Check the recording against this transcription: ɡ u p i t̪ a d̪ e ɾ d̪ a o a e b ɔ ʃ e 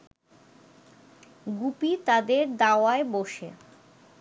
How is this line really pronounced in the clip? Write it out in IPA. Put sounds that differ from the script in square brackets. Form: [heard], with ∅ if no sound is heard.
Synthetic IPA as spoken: ɡ u p i t̪ a d̪ e ɾ d̪ a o a e b [o] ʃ e